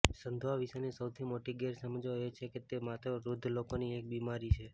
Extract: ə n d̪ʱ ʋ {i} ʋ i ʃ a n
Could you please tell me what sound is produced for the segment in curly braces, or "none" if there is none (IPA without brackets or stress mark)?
a